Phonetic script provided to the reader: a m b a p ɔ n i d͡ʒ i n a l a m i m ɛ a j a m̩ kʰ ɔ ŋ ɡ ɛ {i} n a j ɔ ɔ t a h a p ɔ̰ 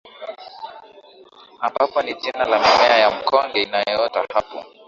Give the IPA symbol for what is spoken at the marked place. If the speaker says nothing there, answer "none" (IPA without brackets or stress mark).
i